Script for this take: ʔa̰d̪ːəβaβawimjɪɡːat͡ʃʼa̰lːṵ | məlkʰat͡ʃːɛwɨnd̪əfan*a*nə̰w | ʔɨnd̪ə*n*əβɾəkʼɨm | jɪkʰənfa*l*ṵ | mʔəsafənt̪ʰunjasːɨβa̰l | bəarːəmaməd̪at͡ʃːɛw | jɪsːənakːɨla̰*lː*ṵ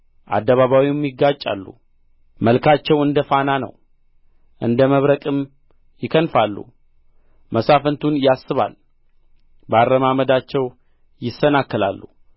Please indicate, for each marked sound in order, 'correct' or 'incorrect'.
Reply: correct, incorrect, incorrect, correct

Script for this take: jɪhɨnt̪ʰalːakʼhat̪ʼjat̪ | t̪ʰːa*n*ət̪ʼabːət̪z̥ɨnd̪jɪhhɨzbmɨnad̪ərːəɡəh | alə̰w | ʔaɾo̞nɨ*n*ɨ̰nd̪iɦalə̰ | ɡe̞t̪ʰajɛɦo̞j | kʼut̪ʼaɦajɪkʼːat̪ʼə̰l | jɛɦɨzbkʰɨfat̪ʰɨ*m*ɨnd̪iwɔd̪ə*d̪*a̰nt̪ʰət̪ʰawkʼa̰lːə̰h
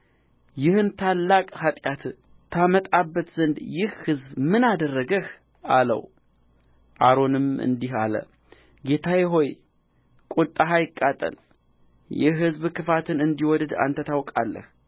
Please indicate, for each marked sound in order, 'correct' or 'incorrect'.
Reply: incorrect, incorrect, incorrect, correct

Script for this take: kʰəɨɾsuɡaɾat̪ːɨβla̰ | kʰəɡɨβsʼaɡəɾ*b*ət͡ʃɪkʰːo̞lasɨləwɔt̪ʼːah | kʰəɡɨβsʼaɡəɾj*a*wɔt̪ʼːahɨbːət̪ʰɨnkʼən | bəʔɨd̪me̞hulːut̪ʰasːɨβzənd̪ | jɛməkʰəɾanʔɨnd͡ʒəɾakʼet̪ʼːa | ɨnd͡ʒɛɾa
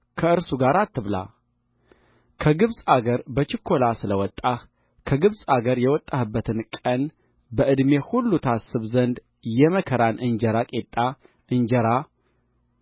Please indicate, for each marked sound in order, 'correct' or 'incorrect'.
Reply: correct, incorrect

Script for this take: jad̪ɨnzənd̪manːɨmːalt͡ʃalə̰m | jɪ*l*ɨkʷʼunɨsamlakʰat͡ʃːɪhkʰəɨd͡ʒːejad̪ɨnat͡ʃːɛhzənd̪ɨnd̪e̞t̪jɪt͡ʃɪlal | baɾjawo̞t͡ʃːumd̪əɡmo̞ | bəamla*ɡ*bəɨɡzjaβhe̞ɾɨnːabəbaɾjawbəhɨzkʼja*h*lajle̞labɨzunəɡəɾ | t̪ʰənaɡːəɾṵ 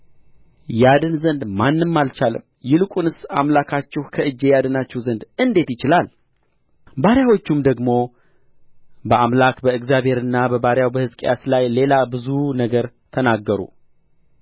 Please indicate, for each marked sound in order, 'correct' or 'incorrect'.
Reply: correct, incorrect, incorrect

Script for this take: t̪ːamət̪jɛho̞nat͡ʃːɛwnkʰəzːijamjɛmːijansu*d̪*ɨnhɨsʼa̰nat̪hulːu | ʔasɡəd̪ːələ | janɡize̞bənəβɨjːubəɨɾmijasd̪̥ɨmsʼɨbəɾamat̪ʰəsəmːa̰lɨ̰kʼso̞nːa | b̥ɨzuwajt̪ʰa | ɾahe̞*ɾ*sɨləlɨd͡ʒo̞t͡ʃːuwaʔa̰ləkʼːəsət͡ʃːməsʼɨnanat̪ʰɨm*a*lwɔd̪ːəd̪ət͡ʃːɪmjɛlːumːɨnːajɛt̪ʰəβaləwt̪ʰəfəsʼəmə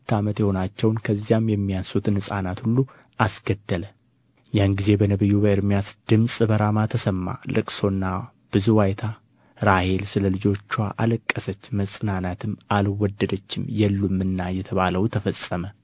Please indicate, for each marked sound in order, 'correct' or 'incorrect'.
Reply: incorrect, incorrect, correct

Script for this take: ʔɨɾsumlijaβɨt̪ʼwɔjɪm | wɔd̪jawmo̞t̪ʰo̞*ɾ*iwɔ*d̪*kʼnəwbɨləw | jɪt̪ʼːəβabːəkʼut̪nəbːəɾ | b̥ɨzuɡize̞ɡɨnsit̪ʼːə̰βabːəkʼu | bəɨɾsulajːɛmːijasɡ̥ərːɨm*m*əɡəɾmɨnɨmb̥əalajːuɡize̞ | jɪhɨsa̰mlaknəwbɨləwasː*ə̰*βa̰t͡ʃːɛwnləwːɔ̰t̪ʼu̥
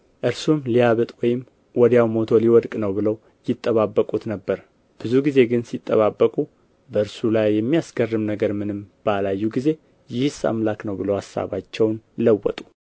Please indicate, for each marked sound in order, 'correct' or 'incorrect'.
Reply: incorrect, correct, incorrect, incorrect

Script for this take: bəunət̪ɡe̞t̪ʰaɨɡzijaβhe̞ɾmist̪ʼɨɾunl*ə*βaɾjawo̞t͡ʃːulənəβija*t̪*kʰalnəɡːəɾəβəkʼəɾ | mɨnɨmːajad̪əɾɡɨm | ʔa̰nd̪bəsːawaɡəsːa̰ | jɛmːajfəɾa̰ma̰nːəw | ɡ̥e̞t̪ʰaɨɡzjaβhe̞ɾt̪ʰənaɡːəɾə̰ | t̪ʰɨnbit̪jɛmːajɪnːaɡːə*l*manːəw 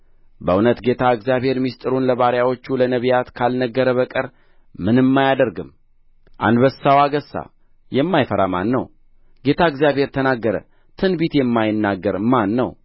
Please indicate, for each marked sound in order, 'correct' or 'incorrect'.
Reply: correct, correct, incorrect

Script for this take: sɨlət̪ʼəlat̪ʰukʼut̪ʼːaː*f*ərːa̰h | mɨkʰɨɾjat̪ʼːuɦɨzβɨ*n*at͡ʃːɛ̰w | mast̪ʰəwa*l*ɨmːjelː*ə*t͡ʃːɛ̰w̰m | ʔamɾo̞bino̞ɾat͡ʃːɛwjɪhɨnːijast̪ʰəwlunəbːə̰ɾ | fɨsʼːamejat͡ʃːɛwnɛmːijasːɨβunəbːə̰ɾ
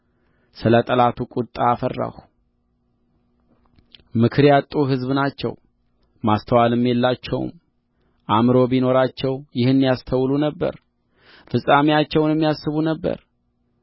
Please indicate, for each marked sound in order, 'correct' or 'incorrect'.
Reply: correct, correct, correct, incorrect

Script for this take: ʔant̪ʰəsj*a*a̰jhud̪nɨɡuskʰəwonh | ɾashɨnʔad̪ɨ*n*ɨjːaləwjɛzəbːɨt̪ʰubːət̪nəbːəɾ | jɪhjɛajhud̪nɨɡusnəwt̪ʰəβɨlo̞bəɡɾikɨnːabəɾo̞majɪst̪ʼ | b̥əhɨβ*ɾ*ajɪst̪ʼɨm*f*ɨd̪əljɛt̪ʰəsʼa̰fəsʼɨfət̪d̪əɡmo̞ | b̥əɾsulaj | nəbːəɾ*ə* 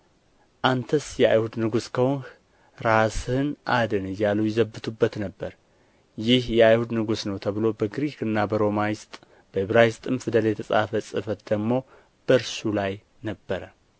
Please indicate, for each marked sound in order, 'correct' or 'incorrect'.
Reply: incorrect, correct, correct, correct, correct

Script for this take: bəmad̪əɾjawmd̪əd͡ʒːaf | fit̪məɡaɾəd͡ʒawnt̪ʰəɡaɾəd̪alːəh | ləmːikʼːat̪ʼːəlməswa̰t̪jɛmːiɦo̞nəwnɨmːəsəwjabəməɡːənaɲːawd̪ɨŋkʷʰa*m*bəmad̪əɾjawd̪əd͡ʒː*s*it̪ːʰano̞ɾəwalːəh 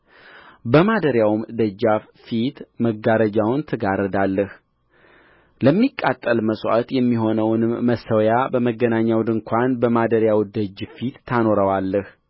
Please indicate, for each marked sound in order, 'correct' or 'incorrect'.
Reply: incorrect, incorrect

